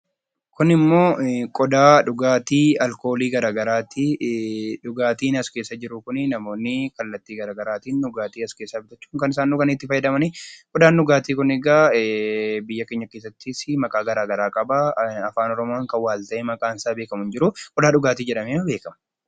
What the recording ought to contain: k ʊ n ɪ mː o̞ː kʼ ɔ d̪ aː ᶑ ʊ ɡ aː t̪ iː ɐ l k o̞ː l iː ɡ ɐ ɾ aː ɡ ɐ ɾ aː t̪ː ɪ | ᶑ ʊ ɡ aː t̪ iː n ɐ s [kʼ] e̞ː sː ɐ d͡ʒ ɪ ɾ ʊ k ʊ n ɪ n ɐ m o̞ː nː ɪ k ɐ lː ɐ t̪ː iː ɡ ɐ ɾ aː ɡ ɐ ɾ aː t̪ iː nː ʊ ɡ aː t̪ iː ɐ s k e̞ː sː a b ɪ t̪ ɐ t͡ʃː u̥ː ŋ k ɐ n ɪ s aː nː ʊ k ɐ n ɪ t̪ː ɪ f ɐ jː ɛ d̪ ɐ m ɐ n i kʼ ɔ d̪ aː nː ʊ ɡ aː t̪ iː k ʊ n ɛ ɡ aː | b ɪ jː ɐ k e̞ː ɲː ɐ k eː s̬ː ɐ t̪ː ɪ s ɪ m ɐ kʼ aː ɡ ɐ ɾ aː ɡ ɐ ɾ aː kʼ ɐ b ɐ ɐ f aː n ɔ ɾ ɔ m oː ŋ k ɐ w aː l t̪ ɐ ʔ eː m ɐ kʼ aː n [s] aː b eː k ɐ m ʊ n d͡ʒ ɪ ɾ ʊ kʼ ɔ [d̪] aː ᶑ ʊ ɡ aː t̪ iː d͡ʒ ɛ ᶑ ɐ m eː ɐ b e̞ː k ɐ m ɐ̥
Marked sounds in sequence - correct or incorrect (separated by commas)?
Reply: incorrect, correct, correct